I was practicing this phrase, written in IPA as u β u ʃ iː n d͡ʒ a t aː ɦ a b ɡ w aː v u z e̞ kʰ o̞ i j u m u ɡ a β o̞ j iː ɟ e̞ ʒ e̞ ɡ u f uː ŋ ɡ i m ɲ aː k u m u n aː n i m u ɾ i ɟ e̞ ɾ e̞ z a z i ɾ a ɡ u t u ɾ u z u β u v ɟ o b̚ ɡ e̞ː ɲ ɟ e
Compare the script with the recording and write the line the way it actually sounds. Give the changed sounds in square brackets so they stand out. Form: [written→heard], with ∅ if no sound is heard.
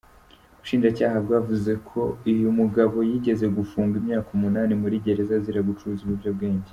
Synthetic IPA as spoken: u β u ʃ iː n d͡ʒ a [t→c] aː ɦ a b ɡ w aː v u z e̞ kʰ o̞ i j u m u ɡ a β o̞ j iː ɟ e̞ [ʒ→z] e̞ ɡ u f uː ŋ ɡ i m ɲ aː k u m u n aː n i m u ɾ i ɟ e̞ ɾ e̞ z a z i ɾ a ɡ u [t→t͡ʃ] u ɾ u z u β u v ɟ o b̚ ɡ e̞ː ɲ ɟ e